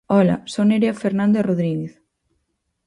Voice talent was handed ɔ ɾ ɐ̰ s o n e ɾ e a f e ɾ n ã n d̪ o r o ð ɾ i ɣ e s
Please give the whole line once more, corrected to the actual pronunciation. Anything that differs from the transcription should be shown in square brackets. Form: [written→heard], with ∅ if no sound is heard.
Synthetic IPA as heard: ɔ [ɾ→l] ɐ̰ s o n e ɾ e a f e ɾ n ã n d̪ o r o ð ɾ i ɣ e [s→θ]

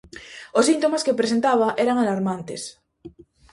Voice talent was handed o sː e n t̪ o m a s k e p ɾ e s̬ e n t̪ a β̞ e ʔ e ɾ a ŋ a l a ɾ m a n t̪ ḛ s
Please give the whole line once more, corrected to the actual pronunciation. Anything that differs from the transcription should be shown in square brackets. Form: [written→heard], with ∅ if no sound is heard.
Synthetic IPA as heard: o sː [e→i] n t̪ o m a s k e p ɾ e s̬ e n t̪ a β̞ [e→a] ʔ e ɾ a ŋ a l a ɾ m a n t̪ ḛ s

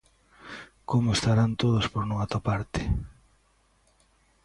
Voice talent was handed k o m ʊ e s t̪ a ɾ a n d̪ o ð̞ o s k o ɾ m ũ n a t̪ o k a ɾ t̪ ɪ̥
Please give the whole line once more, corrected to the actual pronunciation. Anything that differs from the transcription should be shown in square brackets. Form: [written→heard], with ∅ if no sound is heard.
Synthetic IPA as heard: k o m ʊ e s t̪ a ɾ a n [d̪→t̪] o ð̞ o s [k→p] o ɾ [m→n] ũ [n→ŋ] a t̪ o [k→p] a ɾ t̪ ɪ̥

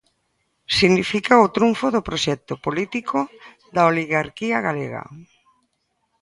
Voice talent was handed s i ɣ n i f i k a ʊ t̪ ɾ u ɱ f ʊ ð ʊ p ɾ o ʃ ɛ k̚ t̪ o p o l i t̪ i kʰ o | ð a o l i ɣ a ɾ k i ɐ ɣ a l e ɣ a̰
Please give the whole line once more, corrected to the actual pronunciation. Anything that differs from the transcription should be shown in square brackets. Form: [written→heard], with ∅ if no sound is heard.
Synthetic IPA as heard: s i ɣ n i f i k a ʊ t̪ ɾ u ɱ f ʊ ð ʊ p ɾ o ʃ ɛ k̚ t̪ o p o l i t̪ i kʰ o | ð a o l i ɣ a ɾ k i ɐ ɣ a l e ɣ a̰

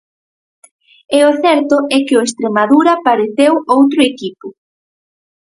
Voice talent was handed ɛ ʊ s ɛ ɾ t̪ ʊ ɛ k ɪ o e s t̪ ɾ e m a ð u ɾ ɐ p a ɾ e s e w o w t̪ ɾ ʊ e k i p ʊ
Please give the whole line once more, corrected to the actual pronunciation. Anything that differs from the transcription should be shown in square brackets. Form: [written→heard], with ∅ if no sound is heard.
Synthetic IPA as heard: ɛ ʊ [s→θ] ɛ ɾ t̪ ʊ ɛ k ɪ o e s t̪ ɾ e m a ð u ɾ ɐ p a ɾ e [s→θ] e w o w t̪ ɾ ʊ e k i p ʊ

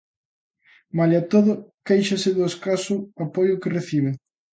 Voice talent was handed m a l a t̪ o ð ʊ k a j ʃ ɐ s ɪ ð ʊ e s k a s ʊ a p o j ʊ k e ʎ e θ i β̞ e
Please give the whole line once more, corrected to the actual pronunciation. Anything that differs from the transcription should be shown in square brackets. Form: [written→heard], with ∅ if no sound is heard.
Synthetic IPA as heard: m a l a t̪ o ð ʊ k [a→e] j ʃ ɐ s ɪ ð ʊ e s k a s ʊ a p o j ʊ k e [ʎ→r] e θ i β̞ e

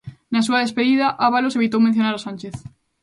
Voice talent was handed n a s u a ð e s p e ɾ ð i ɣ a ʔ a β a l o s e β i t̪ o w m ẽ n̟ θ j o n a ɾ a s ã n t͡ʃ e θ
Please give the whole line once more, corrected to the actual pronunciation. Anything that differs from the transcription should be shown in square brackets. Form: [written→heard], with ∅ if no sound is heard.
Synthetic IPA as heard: n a s u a ð e s p e [ɾ→∅] ð i [ɣ→ð] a ʔ a β a l o s e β i t̪ o w m ẽ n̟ θ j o n a ɾ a s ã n t͡ʃ e θ

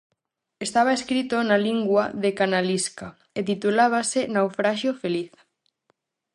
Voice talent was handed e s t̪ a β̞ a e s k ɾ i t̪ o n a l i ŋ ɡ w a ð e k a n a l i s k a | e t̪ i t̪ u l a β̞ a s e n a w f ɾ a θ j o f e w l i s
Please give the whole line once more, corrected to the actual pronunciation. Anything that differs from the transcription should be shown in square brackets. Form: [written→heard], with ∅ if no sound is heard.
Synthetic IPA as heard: e s t̪ a β̞ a e s k ɾ i t̪ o n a l i ŋ ɡ w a ð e k a n a l i s k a | e t̪ i t̪ u l a β̞ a s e n a w f ɾ a [θ→ʃ] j o f e [w→∅] l i [s→θ]

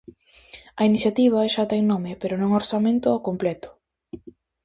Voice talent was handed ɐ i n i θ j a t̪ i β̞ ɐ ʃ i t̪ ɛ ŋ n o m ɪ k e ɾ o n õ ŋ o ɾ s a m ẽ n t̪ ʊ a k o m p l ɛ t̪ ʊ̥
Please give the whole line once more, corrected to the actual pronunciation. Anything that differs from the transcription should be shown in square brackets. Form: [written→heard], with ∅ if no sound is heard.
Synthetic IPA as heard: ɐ i n i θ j a t̪ i β̞ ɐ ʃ [i→a] t̪ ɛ ŋ n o m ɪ [k→p] e ɾ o n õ ŋ o ɾ s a m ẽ n t̪ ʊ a k o m p l ɛ t̪ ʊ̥

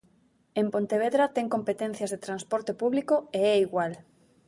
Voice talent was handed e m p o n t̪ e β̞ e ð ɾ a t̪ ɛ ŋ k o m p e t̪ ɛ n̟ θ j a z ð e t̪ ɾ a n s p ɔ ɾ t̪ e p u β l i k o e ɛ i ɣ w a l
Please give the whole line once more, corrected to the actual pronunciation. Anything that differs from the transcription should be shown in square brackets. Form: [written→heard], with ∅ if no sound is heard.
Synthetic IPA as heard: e m p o n t̪ e β̞ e ð ɾ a t̪ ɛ ŋ k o m p e t̪ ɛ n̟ θ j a z ð e t̪ ɾ a n s p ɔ ɾ t̪ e p u β l i k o e ɛ i ɣ w a l

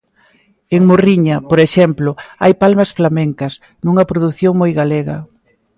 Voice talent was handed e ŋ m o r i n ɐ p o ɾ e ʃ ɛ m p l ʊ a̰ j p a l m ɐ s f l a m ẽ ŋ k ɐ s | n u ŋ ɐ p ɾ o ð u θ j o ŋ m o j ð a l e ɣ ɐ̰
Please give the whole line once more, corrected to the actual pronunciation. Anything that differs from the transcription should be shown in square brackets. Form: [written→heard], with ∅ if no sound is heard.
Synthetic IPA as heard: e ŋ m o r i [n→ɲ] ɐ p o ɾ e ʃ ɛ m p l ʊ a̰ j p a l m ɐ s f l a m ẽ ŋ k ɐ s | n u ŋ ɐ p ɾ o ð u θ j o ŋ m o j [ð→ɣ] a l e ɣ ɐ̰

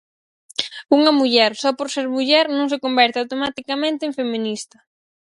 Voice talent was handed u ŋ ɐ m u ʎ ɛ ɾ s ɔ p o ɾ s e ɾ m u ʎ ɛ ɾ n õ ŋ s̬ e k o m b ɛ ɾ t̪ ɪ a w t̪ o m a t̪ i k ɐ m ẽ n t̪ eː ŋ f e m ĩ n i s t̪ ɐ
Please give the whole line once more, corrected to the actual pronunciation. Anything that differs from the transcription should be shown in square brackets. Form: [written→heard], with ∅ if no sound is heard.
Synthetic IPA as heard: u ŋ ɐ m u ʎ ɛ ɾ s ɔ p o ɾ s e ɾ m u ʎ ɛ ɾ n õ ŋ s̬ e k o m b ɛ ɾ t̪ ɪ a w t̪ o m a t̪ i k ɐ m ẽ n t̪ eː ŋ f e m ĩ n i s t̪ ɐ

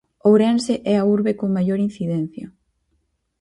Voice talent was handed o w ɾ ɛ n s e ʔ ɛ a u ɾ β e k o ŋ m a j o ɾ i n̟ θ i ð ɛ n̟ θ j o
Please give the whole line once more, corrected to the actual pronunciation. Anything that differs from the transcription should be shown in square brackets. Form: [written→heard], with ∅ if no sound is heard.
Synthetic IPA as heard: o w ɾ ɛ n s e ʔ ɛ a u ɾ β e k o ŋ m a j o ɾ i n̟ θ i ð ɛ n̟ θ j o

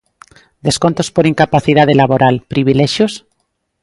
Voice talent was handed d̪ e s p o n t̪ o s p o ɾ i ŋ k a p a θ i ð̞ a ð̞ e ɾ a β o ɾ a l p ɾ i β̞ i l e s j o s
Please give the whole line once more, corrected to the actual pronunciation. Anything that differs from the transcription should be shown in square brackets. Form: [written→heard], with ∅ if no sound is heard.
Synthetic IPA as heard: d̪ e s [p→k] o n t̪ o s p o ɾ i ŋ k a p a θ i ð̞ a ð̞ e [ɾ→l] a β o ɾ a l p ɾ i β̞ i l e [s→ʃ] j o s

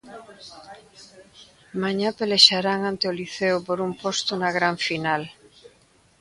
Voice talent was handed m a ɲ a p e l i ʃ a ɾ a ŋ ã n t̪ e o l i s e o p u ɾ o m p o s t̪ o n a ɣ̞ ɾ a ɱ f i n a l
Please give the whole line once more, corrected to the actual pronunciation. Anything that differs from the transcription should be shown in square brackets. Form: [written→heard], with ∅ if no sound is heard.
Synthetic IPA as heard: m a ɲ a p e l [i→e] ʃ a ɾ a ŋ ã n t̪ e o l i [s→θ] e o p [u→o] ɾ [o→u] m p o s t̪ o n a ɣ̞ ɾ a ɱ f i n a l

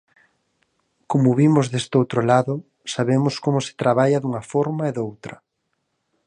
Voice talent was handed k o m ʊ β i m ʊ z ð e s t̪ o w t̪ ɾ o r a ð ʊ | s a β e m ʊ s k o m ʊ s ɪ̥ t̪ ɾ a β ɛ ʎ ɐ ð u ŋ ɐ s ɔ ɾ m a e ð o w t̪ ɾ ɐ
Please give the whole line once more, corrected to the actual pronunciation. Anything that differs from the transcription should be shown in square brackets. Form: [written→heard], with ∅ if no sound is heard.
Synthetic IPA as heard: k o m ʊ β i m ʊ z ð e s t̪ o w t̪ ɾ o [r→l] a ð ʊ | s a β e m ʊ s k o m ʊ s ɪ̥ t̪ ɾ a β [ɛ→a] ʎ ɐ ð u ŋ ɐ [s→f] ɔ ɾ m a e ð o w t̪ ɾ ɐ

